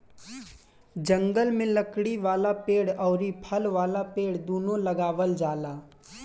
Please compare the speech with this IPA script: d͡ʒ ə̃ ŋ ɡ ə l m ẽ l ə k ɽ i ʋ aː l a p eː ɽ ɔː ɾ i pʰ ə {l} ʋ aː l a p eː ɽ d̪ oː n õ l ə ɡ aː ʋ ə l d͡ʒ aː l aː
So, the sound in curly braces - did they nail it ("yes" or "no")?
yes